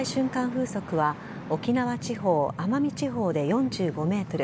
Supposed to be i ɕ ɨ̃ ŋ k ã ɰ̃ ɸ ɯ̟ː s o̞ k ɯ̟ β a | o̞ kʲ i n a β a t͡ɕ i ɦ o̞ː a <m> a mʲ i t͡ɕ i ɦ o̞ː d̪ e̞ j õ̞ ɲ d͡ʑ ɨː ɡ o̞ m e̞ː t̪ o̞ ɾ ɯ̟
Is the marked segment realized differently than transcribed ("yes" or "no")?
no